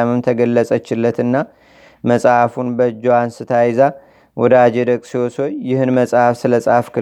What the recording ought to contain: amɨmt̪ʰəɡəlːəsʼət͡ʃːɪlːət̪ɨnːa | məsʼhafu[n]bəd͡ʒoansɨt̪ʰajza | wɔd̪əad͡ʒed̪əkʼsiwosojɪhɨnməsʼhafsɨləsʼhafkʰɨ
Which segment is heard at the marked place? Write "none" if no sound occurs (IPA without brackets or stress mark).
n